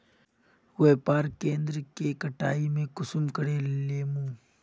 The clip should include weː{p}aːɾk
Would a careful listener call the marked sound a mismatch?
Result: no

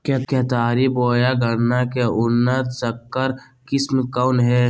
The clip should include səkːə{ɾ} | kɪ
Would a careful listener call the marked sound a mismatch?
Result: no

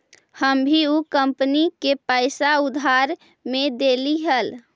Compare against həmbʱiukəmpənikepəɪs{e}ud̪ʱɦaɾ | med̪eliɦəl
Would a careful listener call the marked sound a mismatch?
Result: yes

